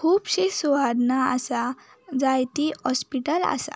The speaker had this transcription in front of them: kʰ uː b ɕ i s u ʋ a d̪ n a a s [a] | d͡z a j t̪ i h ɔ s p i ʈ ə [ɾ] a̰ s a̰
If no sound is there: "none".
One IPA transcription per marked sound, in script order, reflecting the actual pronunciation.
a, l

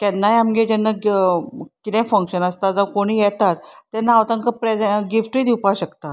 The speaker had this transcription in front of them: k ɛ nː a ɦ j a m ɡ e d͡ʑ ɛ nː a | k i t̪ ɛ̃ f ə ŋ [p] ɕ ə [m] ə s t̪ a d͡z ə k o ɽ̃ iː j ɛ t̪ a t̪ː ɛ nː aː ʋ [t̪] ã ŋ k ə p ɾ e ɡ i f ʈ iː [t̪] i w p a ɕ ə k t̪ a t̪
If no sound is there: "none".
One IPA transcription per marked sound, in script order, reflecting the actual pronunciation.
k, n, t̪, d̪

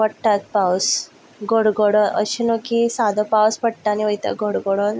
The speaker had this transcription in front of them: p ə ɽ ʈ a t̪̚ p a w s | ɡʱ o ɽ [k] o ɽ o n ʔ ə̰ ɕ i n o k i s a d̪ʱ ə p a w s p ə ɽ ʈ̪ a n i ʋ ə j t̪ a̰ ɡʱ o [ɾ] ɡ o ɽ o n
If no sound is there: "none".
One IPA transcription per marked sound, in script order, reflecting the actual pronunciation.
ɡ, ɽ

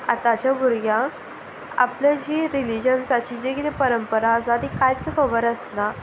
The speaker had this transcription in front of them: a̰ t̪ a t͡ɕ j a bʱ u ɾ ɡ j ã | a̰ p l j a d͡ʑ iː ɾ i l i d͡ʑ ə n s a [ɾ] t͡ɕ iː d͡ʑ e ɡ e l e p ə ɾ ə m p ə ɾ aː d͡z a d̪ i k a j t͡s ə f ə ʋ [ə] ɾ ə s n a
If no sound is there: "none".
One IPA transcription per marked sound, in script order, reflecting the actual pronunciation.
none, ə

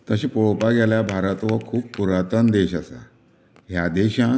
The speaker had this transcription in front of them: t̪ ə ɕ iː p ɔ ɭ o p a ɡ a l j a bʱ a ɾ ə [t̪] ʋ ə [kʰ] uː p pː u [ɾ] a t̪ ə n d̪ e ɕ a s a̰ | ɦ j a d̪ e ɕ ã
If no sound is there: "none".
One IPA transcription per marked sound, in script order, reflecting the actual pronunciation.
t̪, kʰ, ɾ

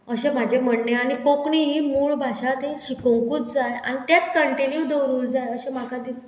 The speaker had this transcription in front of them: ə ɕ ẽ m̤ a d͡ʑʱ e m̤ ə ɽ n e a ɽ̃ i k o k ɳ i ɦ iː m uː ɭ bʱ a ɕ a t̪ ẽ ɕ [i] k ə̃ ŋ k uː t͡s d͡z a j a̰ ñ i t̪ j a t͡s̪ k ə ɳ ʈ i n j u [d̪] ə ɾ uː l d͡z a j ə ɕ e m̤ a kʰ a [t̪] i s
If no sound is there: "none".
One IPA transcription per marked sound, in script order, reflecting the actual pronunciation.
i, d̪, d̪

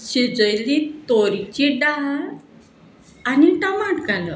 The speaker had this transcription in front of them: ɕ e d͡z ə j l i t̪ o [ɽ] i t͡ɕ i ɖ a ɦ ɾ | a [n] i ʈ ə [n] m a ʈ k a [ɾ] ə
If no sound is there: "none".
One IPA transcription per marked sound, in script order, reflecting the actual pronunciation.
ɾ, n, none, l

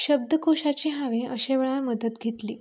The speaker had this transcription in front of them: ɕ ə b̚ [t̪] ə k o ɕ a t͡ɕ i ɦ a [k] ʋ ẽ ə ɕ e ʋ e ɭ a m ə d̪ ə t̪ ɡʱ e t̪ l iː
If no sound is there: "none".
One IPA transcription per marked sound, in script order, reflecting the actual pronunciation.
d̪, none

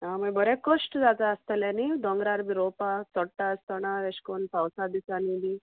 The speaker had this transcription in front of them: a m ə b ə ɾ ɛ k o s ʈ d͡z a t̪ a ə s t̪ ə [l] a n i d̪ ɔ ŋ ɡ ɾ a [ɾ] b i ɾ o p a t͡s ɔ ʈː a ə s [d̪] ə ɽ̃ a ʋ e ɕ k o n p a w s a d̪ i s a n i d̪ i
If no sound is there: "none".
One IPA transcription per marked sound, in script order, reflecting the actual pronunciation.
l, ɾ, t̪

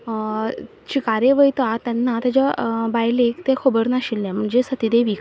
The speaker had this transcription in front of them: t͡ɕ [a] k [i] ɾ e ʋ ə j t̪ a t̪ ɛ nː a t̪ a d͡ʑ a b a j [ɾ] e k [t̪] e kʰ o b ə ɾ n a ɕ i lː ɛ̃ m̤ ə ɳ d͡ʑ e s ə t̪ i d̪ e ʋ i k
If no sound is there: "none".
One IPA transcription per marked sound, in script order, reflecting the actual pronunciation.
i, a, l, t̪

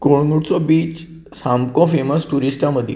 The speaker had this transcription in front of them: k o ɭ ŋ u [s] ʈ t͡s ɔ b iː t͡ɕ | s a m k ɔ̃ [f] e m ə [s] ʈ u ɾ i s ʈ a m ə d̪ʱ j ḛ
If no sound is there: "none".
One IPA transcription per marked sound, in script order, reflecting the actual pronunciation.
none, f, s

